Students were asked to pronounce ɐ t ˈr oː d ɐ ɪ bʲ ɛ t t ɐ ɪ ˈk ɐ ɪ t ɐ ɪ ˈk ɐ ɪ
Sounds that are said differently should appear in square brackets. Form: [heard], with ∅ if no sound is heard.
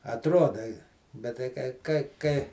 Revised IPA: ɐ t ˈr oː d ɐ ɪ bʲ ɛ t t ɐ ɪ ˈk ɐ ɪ [k] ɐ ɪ ˈk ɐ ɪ